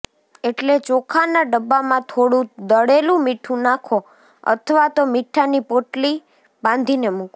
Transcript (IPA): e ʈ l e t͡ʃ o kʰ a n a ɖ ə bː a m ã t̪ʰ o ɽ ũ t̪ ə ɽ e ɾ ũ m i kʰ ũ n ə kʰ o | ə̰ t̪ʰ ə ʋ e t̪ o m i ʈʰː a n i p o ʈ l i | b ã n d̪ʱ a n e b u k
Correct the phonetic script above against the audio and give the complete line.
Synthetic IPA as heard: e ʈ l e t͡ʃ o kʰ a n a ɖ ə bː a m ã t̪ʰ o ɽ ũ d̪ ə ɽ e l ũ m i ʈʰ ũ n a kʰ o | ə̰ t̪ʰ ə ʋ a t̪ o m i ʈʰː a n i p o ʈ l i | b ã n d̪ʱ i n e m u k